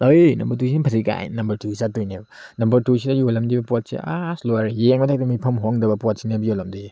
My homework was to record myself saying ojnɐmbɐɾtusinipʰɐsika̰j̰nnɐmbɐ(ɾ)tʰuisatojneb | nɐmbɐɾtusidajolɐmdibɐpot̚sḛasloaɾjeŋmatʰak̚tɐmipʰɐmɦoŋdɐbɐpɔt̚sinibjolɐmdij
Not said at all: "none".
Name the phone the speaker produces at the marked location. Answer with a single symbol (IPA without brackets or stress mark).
ɾ